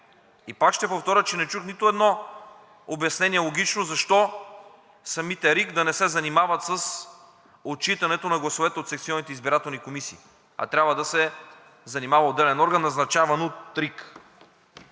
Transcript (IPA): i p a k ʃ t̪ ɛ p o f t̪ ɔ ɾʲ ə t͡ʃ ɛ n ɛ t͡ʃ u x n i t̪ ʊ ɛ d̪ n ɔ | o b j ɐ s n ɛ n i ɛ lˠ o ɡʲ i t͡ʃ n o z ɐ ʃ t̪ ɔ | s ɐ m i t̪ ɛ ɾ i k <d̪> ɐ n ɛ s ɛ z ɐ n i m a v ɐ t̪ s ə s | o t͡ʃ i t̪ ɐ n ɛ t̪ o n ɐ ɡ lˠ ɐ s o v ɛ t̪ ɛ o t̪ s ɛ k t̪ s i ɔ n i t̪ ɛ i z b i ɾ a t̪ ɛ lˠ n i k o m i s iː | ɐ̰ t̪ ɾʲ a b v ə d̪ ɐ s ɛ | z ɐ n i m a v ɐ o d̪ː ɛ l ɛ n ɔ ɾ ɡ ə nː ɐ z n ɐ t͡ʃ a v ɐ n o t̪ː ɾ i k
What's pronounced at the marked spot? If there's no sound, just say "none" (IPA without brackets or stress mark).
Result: d̪